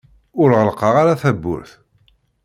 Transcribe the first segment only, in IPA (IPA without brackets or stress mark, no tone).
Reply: ʊ